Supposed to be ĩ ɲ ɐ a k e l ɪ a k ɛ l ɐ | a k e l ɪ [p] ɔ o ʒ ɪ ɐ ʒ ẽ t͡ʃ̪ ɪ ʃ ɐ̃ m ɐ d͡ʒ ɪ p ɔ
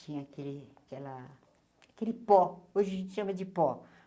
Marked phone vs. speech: correct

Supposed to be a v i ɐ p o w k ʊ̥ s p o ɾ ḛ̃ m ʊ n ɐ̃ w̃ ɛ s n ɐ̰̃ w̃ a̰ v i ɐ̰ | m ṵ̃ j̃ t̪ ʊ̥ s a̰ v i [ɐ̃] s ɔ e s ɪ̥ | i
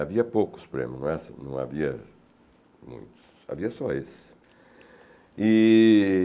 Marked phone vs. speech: incorrect: ɐ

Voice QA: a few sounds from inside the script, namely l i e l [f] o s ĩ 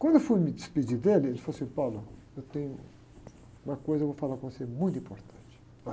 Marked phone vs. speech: correct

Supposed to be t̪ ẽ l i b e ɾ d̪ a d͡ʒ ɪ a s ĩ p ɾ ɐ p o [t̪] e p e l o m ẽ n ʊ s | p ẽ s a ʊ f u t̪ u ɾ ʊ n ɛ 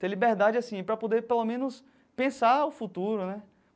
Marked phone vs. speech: incorrect: d̪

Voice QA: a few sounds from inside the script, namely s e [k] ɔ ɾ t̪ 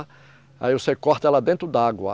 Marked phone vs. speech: correct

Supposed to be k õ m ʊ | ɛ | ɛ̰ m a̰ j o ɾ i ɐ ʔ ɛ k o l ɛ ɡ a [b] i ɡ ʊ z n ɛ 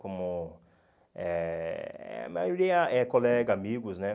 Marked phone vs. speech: incorrect: m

